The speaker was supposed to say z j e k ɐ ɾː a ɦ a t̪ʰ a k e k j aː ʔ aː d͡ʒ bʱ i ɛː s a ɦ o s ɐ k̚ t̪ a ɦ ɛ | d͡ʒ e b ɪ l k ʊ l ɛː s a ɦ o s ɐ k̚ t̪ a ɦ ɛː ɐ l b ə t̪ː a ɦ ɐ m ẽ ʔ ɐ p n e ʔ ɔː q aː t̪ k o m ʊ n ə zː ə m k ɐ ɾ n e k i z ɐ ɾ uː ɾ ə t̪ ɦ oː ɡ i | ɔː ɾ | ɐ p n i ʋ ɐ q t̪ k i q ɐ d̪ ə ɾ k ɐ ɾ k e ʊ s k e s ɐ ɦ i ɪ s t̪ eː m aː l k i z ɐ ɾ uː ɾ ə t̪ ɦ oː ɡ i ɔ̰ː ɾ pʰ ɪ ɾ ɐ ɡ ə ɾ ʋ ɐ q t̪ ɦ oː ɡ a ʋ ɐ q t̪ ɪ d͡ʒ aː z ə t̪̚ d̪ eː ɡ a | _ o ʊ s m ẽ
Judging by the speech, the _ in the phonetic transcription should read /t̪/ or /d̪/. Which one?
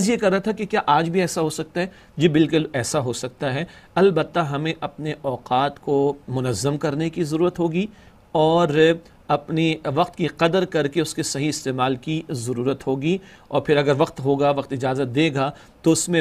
t̪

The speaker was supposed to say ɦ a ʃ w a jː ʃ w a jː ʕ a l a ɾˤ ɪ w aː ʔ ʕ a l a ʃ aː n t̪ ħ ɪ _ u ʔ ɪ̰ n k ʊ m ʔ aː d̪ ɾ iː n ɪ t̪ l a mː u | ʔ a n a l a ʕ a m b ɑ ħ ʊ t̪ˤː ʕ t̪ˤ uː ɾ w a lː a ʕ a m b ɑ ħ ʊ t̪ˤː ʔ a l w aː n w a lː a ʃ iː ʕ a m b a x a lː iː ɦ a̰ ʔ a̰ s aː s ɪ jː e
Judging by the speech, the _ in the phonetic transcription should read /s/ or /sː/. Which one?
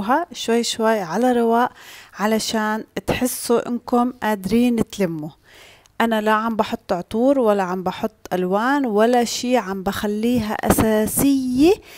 sː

